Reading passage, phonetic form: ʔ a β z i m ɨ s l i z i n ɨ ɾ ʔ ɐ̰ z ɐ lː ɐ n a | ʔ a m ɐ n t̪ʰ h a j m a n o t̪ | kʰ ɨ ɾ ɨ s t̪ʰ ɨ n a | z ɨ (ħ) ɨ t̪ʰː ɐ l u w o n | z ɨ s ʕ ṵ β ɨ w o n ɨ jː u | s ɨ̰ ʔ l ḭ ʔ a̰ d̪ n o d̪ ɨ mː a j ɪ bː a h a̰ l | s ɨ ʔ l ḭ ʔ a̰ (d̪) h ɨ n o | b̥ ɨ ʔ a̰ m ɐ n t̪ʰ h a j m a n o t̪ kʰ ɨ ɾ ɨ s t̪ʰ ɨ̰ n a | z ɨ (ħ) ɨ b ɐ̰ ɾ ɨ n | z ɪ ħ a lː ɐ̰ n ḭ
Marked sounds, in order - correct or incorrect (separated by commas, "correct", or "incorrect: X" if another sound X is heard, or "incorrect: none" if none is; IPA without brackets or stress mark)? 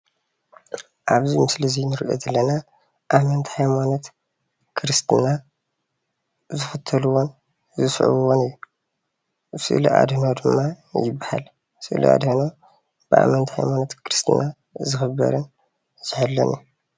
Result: incorrect: f, correct, incorrect: x